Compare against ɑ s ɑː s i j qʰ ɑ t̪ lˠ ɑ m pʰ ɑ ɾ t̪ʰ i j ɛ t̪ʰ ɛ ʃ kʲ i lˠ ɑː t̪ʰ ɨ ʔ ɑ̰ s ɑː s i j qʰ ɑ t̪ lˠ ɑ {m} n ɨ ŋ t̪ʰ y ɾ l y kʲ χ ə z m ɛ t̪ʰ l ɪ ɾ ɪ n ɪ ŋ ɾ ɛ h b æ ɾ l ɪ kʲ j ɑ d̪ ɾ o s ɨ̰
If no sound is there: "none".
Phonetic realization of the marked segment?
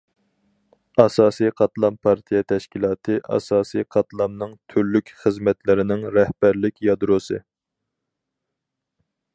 m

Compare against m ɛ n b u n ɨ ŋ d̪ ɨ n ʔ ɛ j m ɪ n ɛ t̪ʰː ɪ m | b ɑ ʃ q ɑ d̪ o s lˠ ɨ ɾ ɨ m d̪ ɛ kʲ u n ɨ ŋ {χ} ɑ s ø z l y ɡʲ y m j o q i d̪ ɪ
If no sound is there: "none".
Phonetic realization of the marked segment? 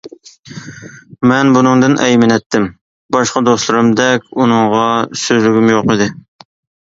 ʁ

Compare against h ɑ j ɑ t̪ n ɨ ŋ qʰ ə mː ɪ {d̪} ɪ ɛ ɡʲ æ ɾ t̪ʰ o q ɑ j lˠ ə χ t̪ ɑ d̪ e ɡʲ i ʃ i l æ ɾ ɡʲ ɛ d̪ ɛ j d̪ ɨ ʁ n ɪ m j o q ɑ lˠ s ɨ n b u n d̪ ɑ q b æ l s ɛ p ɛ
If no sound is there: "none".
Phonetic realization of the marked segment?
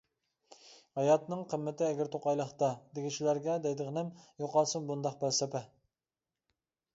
t̪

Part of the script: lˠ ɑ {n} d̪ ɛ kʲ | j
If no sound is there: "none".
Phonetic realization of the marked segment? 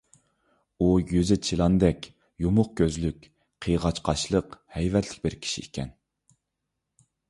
n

